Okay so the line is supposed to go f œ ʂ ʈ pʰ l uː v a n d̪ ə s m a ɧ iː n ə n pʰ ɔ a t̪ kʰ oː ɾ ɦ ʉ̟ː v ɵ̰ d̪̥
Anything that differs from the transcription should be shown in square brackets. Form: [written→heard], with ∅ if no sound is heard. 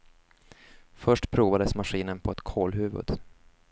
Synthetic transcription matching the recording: f œ ʂ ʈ pʰ [l→ɾ] uː v a [n→∅] d̪ ə s m a ɧ iː n ə n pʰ ɔ [a→ɛ] t̪ kʰ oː [ɾ→l] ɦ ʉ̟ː v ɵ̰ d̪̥